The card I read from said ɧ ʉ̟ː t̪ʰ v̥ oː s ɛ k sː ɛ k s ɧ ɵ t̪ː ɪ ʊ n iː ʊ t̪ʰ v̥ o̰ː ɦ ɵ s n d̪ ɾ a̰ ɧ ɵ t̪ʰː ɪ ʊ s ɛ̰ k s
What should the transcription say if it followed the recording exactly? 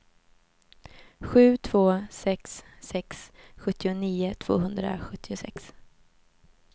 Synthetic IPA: ɧ ʉ̟ː t̪ʰ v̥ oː s ɛ k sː ɛ k s ɧ ɵ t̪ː ɪ ʊ n iː ʊ t̪ʰ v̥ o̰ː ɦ ɵ n d̪ ɾ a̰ ɧ ɵ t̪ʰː ɪ ʊ s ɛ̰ k s